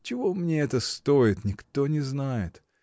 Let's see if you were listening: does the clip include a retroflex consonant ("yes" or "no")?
no